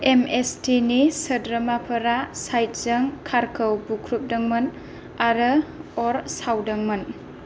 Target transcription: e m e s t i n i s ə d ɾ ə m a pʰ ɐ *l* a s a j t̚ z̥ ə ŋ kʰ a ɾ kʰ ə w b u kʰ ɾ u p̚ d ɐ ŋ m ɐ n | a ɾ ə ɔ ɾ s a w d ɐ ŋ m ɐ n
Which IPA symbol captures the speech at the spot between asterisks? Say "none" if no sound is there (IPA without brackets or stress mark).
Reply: ɾ